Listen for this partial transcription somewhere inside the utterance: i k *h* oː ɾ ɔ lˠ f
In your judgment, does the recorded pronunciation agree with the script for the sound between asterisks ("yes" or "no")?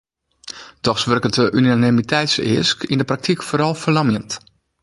no